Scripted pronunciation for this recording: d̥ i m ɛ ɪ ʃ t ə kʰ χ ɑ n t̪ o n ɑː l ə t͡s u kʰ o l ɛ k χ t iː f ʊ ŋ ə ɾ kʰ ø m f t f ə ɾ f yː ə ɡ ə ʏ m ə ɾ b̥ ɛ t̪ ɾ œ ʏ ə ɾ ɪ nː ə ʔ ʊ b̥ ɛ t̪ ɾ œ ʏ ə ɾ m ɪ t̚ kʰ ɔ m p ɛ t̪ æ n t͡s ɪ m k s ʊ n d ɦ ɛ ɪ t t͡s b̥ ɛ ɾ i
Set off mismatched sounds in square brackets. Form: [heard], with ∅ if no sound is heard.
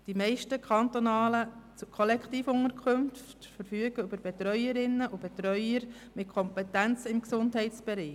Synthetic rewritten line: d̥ i m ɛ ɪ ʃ t ə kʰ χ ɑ n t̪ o n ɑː l ə t͡s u kʰ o l ɛ k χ t iː f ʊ ŋ ə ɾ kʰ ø m f t f ə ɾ f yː ə ɡ ə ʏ [b] ə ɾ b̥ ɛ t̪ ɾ œ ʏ ə ɾ ɪ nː ə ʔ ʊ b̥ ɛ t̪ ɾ œ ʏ ə ɾ m ɪ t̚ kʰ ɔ m p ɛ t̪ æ n t͡s ɪ m k s ʊ n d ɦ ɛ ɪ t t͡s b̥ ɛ ɾ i